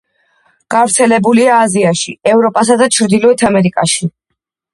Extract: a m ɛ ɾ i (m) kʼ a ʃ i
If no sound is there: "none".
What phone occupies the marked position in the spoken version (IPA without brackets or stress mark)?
none